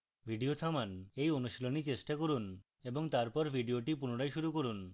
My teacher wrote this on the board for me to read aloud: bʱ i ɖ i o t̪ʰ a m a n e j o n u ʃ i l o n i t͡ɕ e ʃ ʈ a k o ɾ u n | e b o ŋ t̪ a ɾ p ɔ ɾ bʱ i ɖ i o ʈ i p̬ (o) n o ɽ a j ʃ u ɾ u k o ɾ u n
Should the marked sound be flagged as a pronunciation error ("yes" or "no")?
yes